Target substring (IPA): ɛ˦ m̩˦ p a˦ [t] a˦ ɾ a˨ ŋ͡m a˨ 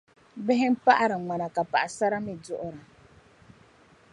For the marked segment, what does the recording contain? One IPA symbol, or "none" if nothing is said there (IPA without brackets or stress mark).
ʔ